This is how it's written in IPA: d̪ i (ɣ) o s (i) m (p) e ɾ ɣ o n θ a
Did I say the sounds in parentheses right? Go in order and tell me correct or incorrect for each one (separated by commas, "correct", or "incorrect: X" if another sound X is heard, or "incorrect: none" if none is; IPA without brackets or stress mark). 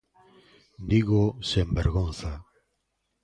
correct, incorrect: e, incorrect: b